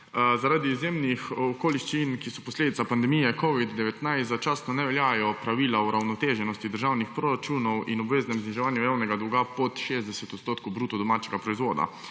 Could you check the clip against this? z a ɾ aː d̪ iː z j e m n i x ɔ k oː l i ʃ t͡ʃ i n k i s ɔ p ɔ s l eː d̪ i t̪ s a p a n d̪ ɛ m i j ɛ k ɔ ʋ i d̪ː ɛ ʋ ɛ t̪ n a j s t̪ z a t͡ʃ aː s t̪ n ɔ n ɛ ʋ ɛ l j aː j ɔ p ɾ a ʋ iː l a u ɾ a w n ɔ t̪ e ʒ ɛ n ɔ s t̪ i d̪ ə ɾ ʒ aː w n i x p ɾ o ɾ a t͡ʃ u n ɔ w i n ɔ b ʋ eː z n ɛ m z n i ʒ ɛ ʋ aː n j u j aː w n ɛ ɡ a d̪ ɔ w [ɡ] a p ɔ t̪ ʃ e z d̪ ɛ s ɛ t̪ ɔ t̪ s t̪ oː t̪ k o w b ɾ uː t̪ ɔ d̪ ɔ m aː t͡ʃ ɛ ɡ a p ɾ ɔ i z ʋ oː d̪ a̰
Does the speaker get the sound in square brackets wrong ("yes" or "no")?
no